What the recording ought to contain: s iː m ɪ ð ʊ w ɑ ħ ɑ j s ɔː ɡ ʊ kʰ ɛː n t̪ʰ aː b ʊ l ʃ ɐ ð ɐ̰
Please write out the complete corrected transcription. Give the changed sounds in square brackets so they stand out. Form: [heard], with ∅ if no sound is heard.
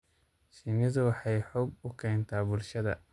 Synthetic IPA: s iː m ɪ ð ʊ w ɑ ħ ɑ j [ħ] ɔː ɡ ʊ kʰ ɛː n t̪ʰ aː b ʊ l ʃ ɐ ð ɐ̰